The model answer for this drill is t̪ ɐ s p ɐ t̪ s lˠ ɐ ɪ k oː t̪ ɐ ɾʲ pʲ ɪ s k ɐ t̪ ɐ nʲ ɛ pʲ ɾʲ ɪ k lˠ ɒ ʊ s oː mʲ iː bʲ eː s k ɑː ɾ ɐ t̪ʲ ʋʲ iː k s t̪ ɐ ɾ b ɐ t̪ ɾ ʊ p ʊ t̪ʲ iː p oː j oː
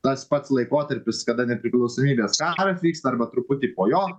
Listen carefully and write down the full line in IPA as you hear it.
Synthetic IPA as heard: t̪ ɐ s p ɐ t̪ s lˠ ɐ ɪ k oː t̪ ɐ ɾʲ pʲ ɪ s k ɐ d̪ ɐ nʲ ɛ pʲ ɾʲ ɪ k lˠ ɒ ʊ s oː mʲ iː bʲ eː s k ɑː ɾ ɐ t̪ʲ ʋʲ iː k s t̪ ɐ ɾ b ɐ t̪ ɾ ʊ p ʊ t̪ʲ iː p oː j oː

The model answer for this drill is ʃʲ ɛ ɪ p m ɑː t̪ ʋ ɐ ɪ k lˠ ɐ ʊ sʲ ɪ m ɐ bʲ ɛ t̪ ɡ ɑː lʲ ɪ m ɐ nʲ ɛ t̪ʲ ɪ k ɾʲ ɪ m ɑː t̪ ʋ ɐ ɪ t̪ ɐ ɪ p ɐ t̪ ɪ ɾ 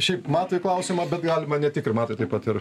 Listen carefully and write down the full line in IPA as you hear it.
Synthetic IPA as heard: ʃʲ ɛ ɪ p m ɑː t̪ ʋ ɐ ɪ k lˠ ɐ ʊ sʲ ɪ m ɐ bʲ ɛ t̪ ɡ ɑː lʲ ɪ m ɐ nʲ ɛ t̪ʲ ɪ k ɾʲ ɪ m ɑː t̪ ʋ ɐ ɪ t̪ ɐ ɪ p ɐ t̪ ɪ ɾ

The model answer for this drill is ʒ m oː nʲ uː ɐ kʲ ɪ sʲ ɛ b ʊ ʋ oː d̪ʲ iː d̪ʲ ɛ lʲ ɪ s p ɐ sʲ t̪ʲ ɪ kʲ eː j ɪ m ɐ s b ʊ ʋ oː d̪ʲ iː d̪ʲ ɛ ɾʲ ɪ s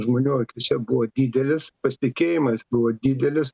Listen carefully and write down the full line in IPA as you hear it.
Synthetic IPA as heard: ʒ m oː nʲ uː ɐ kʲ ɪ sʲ ɛ b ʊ ʋ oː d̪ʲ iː d̪ʲ ɛ lʲ ɪ s p ɐ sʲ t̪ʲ ɪ kʲ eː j ɪ m ɐ s b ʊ ʋ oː d̪ʲ iː d̪ʲ ɛ lʲ ɪ s

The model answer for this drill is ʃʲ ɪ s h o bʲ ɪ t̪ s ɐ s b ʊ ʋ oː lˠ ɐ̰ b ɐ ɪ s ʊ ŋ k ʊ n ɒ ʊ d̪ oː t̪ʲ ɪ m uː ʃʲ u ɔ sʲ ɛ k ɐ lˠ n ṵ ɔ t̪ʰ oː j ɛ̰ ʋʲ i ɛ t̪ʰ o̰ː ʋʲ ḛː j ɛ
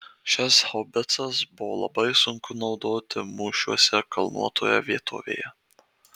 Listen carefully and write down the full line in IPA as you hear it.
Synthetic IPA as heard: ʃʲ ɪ s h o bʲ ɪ t̪ s ɐ s b ʊ ʋ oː lˠ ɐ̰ b ɐ ɪ s ʊ ŋ k ʊ n ɒ ʊ d̪ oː t̪ʲ ɪ m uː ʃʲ u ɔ sʲ ɛ k ɐ lˠ n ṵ ɔ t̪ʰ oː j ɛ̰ ʋʲ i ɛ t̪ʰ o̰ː ʋʲ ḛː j ɛ

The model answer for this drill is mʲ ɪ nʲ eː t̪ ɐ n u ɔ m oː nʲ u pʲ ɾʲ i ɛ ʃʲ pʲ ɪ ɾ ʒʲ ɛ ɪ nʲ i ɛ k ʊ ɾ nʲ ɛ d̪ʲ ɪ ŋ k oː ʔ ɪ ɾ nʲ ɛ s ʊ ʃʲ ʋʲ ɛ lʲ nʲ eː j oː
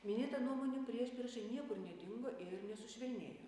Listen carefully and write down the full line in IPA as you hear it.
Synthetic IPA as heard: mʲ ɪ nʲ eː t̪ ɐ n u ɔ m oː nʲ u pʲ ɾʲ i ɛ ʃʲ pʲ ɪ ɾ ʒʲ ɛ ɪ nʲ i ɛ k ʊ ɾ nʲ ɛ d̪ʲ ɪ ŋ ɡ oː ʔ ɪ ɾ nʲ ɛ s ʊ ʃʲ ʋʲ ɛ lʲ nʲ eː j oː

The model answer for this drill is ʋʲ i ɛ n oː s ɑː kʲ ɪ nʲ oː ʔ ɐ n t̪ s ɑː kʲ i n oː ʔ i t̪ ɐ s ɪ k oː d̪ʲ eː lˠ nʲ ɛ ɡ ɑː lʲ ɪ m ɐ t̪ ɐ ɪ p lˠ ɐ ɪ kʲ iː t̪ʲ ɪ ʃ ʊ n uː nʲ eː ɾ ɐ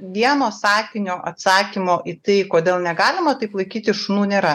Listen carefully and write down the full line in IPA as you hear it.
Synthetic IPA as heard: ʋʲ i ɛ n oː s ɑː kʲ ɪ nʲ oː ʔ ɐ t̪ s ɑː kʲ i m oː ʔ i t̪ ɐ ɪ k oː d̪ʲ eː lˠ nʲ ɛ ɡ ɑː lʲ ɪ m ɐ t̪ ɐ ɪ p lˠ ɐ ɪ kʲ iː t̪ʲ ɪ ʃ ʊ n uː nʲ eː ɾ ɐ

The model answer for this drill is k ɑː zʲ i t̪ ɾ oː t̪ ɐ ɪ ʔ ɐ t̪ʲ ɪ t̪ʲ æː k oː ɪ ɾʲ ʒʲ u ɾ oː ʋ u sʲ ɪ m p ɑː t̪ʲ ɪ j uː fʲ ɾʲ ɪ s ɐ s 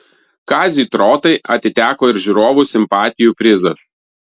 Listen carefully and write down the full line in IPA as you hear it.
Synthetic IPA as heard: k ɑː zʲ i t̪ ɾ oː t̪ ɐ ɪ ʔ ɐ t̪ʲ ɪ t̪ʲ æː k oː ɪ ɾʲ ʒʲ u ɾ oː ʋ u sʲ ɪ m p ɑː t̪ʲ ɪ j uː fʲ ɾʲ ɪ z ɐ s

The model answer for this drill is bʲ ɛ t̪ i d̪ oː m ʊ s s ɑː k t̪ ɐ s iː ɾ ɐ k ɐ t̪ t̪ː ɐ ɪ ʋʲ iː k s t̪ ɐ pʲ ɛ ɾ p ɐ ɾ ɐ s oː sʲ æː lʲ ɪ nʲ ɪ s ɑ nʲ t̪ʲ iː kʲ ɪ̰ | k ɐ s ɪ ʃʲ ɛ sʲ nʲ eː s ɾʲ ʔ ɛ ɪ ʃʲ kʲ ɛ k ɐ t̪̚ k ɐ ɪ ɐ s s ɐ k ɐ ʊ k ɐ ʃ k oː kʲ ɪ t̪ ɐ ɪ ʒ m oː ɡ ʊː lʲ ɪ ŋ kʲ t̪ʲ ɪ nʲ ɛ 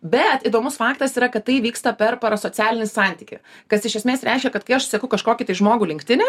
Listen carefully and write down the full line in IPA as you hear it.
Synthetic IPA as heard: bʲ ɛ t̪ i d̪ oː m ʊ s f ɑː k t̪ ɐ s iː ɾ ɐ k ɐ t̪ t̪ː ɐ ɪ ʋʲ iː k s t̪ ɐ pʲ ɛ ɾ p ɐ ɾ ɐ s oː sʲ æː lʲ ɪ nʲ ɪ s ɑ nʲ t̪ʲ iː kʲ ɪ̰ | k ɐ s ɪ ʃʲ ɛ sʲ mʲ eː s ɾʲ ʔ ɛ ɪ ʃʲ kʲ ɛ k ɐ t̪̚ k ɐ ɪ ɐ ʃ s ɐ k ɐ ʊ k ɐ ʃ k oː kʲ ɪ t̪ ɐ ɪ ʒ m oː ɡ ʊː lʲ ɪ ŋ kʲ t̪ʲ ɪ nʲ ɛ

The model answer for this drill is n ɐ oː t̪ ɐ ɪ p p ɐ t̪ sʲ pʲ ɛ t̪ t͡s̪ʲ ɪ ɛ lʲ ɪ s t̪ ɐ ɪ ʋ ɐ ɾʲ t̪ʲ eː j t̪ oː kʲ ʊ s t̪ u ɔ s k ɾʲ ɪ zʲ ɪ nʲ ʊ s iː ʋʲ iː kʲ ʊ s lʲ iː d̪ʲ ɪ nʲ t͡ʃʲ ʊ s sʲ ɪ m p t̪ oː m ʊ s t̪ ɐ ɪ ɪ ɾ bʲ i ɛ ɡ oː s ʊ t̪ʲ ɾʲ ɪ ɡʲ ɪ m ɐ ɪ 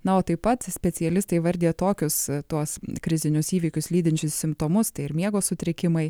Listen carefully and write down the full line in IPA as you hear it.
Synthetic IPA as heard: n ɐ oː t̪ ɐ ɪ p p ɐ t̪ sʲ pʲ ɛ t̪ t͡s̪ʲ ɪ ɛ lʲ ɪ s t̪ ɐ ɪ ʋ ɐ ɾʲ d̪ʲ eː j t̪ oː kʲ ʊ s t̪ u ɔ s k ɾʲ ɪ zʲ ɪ nʲ ʊ s iː ʋʲ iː kʲ ʊ s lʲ iː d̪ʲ ɪ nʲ t͡ʃʲ ʊ s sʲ ɪ m p t̪ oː m ʊ s t̪ ɐ ɪ ɪ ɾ mʲ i ɛ ɡ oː s ʊ t̪ʲ ɾʲ ɪ kʲ ɪ m ɐ ɪ

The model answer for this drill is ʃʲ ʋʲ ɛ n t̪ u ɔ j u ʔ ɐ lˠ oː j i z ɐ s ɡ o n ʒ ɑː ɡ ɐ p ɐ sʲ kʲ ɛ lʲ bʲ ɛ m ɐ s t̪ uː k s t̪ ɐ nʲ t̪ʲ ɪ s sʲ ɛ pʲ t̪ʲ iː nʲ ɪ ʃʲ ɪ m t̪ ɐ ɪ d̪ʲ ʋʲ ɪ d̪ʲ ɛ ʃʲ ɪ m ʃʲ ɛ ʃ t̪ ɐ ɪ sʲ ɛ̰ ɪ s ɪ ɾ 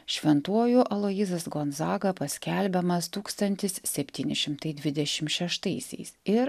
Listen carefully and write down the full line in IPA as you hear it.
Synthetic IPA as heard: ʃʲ ʋʲ ɛ n t̪ u ɔ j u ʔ ɐ lˠ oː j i z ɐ s ɡ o n z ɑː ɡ ɐ p ɐ sʲ kʲ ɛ lʲ bʲ ɛ m ɐ s t̪ uː k s t̪ ɐ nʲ t̪ʲ ɪ s sʲ ɛ pʲ t̪ʲ iː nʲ ɪ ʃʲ ɪ m t̪ ɐ ɪ d̪ʲ ʋʲ ɪ d̪ʲ ɛ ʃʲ ɪ m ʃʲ ɛ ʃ t̪ ɐ ɪ sʲ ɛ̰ ɪ s ɪ ɾ

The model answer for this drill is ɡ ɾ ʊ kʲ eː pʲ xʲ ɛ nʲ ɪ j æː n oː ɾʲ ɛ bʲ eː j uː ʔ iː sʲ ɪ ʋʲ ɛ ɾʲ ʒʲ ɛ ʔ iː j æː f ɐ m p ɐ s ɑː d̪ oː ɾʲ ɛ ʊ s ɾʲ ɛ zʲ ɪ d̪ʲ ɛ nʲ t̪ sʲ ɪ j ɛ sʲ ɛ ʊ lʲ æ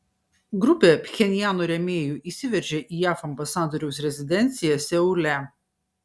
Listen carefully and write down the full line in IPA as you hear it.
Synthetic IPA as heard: ɡ ɾ ʊ pʲ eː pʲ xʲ ɛ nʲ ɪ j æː n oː ɾʲ ɛ mʲ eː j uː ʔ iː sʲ ɪ ʋʲ ɛ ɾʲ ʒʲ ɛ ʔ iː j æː f ɐ m b ɐ s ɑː d̪ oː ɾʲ ɛ ʊ s ɾʲ ɛ zʲ ɪ d̪ʲ ɛ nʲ t̪ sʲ ɪ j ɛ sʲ ɛ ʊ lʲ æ

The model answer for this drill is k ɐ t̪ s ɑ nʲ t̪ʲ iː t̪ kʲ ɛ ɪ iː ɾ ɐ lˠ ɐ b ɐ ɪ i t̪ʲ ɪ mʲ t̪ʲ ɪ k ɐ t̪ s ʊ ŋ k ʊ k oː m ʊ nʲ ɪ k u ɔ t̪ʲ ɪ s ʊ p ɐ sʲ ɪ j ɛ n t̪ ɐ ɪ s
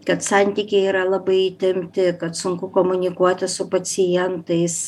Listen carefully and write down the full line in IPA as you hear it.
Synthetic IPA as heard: k ɐ t̪ s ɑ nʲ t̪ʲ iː kʲ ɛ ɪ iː ɾ ɐ lˠ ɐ b ɐ ɪ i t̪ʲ ɪ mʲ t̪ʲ ɪ k ɐ t̪ s ʊ ŋ k ʊ k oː m ʊ nʲ ɪ k u ɔ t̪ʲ ɪ s ʊ p ɐ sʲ ɪ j ɛ n t̪ ɐ ɪ s

